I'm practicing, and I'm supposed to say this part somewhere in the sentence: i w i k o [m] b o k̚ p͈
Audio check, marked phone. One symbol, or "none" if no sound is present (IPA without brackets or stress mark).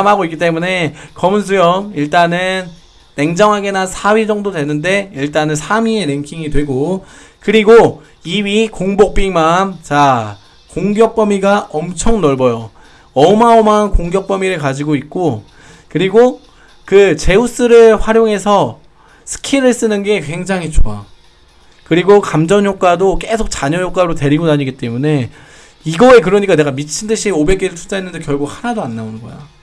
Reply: ŋ